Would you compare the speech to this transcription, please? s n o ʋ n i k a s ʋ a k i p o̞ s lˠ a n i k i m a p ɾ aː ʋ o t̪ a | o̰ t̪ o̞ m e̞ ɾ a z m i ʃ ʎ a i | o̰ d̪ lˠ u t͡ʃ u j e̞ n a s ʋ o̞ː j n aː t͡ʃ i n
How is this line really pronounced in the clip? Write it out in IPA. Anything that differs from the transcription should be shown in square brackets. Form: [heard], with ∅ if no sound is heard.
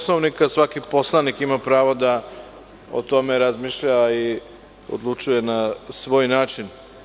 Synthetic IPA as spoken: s n o ʋ n i k a s ʋ a k i p o̞ s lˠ a n i k i m a p ɾ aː ʋ o [d̪] a | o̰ t̪ o̞ m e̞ ɾ a z m i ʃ ʎ a i | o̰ d̪ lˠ u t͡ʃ u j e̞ n a s ʋ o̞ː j n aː t͡ʃ i n

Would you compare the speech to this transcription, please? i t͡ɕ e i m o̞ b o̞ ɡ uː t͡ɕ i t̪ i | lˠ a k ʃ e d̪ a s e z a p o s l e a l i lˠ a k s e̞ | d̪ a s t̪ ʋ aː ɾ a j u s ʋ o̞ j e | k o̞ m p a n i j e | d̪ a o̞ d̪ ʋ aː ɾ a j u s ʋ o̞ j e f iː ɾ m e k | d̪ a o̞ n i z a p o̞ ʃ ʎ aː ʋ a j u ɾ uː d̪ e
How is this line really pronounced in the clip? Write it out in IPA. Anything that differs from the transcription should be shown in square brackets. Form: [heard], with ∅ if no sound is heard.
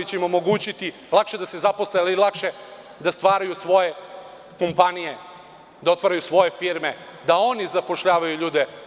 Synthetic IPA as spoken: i t͡ɕ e i m o̞ [m] o̞ ɡ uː t͡ɕ i t̪ i | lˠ a k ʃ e d̪ a s e z a p o s l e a l i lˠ a k [ʃ] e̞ | d̪ a s t̪ ʋ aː ɾ a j u s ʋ o̞ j e | k o̞ m p a n i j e | d̪ a o̞ [t̪] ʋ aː ɾ a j u s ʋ o̞ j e f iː ɾ m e [∅] | d̪ a o̞ n i z a p o̞ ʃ ʎ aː ʋ a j u [ʎ] uː d̪ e

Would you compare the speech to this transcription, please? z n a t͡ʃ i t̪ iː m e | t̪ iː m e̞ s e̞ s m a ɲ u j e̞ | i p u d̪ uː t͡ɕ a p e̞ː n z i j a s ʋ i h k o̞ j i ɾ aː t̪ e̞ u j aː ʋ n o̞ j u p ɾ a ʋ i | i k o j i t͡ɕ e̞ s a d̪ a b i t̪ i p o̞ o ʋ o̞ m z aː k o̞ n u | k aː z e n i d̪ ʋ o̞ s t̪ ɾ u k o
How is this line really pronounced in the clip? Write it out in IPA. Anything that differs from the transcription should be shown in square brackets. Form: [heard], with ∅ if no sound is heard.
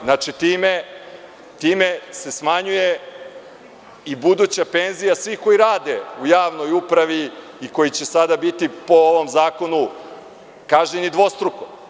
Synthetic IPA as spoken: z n a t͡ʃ i t̪ iː m e | t̪ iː m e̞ s e̞ s m a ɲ u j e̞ | i [b] u d̪ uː t͡ɕ a p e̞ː n z i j a s ʋ i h k o̞ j i ɾ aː [d̪] e̞ u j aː ʋ n o̞ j u p ɾ a ʋ i | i k o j i t͡ɕ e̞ s a d̪ a b i t̪ i p o̞ o ʋ o̞ m z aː k o̞ n u | k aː [ʒ] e n i d̪ ʋ o̞ s t̪ ɾ u k o

